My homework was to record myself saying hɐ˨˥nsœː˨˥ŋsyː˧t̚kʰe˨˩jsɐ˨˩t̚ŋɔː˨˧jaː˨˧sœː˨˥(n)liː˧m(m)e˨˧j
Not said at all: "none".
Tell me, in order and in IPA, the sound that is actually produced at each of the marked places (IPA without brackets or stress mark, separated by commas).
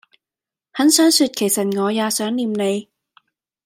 ŋ, n